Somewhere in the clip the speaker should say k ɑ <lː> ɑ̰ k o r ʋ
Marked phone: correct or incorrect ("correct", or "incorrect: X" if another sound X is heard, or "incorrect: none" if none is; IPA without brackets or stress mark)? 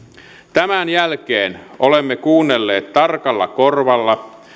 correct